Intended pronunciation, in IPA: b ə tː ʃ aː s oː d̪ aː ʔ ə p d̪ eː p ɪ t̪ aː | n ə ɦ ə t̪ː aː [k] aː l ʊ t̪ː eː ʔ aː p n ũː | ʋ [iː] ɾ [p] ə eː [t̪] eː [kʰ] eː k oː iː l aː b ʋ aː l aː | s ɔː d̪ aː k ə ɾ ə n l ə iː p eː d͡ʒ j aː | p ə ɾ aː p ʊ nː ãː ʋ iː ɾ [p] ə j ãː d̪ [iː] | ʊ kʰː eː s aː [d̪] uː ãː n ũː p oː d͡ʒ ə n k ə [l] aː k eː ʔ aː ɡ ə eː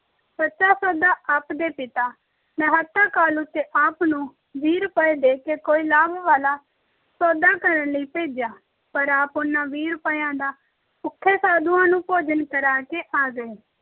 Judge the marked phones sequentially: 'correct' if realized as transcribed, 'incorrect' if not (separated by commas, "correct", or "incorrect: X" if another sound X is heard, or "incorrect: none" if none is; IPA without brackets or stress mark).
correct, correct, correct, incorrect: d̪, incorrect: k, correct, incorrect: aː, correct, incorrect: ɾ